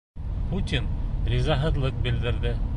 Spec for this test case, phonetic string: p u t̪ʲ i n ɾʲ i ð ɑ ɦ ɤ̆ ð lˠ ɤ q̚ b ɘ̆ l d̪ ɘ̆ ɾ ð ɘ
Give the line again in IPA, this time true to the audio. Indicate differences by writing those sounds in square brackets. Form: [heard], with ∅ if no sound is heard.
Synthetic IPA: p u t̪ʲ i n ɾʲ i [z] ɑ ɦ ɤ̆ ð lˠ ɤ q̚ b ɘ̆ l d̪ ɘ̆ ɾ ð ɘ